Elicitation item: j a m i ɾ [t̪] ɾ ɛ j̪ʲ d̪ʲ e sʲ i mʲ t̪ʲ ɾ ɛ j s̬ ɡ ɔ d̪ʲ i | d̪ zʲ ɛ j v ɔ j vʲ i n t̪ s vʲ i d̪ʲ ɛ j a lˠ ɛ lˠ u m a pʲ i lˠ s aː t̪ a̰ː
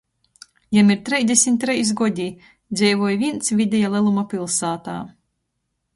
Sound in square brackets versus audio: correct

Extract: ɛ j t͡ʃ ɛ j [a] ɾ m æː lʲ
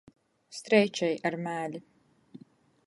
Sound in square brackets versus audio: correct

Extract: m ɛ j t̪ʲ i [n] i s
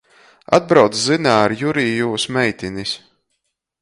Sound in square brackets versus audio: correct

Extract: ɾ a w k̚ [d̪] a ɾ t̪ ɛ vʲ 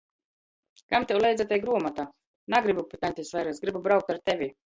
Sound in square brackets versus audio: incorrect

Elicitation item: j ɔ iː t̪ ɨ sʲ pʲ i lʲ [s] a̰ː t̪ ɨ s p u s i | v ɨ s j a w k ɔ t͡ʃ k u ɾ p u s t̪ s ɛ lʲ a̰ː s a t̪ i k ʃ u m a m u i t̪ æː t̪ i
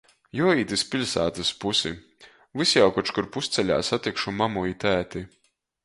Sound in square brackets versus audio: correct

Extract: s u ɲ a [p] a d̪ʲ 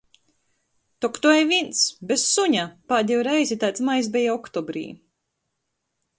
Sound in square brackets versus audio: correct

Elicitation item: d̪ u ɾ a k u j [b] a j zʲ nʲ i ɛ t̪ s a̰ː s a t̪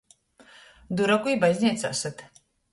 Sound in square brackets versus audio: correct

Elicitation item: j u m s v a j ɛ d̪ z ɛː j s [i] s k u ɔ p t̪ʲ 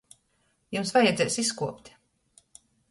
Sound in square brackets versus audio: correct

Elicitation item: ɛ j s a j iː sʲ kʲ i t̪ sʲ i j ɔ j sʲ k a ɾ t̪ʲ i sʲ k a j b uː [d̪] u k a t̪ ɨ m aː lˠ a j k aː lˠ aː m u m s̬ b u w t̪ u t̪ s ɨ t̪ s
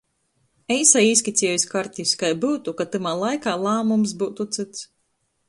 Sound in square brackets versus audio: incorrect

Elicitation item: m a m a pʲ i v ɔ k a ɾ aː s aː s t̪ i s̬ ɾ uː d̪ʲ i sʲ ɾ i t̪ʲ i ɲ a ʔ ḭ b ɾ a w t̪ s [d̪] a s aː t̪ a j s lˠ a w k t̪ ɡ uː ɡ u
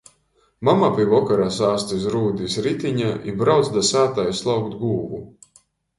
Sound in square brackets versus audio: correct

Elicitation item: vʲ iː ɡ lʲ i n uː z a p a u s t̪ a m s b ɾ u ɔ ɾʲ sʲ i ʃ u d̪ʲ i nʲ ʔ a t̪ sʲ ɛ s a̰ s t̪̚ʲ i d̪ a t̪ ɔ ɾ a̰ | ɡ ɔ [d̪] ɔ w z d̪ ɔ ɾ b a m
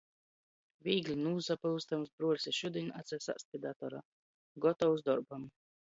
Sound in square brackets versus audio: incorrect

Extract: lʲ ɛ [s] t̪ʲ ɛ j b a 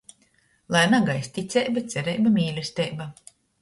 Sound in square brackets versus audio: correct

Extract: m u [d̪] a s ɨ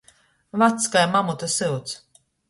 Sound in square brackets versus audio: incorrect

